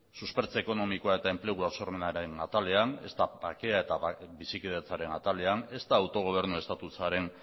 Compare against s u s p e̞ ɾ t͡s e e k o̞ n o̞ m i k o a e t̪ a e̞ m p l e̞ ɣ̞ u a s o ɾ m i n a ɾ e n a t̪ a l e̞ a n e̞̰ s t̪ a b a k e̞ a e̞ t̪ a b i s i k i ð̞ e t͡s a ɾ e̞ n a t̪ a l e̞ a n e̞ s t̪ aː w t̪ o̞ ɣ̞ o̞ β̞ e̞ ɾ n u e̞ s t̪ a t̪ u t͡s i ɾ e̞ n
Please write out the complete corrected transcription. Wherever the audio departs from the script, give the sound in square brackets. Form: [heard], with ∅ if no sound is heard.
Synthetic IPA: s u s p e̞ ɾ t͡s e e k o̞ n o̞ m i k o a e t̪ a e̞ m p l e̞ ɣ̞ u a s o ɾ m [e] n a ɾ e n a t̪ a l e̞ a n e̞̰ s t̪ a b a k e̞ a e̞ t̪ a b i s i k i ð̞ e t͡s a ɾ e̞ n a t̪ a l e̞ a n e̞ s t̪ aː w t̪ o̞ ɣ̞ o̞ β̞ e̞ ɾ n u e̞ s t̪ a t̪ u t͡s [a] ɾ e̞ n